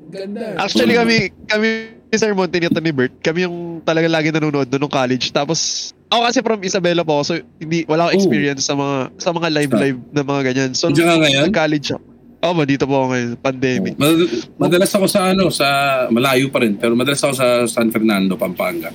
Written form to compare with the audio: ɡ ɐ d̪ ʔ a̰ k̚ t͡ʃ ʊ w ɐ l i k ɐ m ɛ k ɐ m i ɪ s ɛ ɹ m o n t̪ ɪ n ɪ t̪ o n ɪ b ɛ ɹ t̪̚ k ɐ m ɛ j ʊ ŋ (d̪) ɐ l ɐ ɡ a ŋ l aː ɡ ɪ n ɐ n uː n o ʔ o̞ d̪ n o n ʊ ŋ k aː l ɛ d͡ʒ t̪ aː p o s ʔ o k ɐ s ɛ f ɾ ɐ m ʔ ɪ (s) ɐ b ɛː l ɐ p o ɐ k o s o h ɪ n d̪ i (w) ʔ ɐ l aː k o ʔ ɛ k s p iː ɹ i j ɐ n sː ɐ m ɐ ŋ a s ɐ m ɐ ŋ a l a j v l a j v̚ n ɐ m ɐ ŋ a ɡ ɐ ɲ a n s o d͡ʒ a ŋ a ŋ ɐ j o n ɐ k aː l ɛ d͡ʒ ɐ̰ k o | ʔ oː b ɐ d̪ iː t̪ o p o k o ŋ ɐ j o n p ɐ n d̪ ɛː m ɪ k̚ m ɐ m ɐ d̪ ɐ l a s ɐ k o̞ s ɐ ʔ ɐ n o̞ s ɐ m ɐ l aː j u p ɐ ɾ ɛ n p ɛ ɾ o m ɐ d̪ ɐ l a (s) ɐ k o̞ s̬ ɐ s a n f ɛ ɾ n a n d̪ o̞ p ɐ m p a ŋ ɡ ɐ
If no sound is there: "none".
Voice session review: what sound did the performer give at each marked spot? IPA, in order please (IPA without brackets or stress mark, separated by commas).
t̪, s, w, s